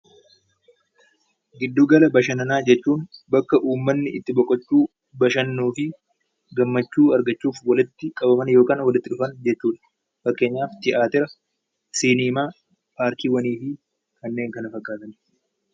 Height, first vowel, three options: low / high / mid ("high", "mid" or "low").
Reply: high